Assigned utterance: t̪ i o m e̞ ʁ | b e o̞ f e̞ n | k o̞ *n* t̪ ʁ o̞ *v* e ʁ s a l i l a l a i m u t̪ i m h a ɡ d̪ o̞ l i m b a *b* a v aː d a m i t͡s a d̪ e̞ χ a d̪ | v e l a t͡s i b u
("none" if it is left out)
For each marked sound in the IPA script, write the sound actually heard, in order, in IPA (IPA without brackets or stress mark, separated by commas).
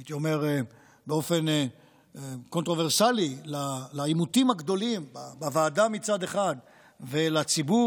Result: n, v, b